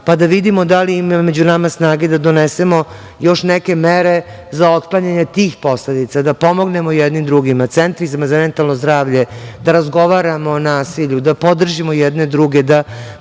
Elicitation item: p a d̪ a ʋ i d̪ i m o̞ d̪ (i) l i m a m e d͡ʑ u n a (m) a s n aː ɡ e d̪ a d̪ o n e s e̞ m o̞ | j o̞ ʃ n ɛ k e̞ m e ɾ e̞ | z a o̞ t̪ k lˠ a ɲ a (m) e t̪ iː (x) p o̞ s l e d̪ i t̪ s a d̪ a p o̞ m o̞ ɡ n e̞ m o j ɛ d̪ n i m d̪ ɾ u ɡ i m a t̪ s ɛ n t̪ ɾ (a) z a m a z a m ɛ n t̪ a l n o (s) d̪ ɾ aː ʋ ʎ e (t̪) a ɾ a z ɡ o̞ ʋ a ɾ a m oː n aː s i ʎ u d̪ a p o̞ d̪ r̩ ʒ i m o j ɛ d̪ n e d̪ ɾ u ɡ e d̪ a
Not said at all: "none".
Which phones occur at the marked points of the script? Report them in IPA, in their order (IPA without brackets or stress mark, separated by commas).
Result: a, m, ɲ, x, i, z, d̪